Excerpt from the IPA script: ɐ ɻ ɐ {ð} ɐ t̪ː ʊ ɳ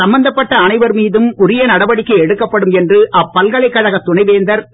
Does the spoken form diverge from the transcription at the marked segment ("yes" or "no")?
yes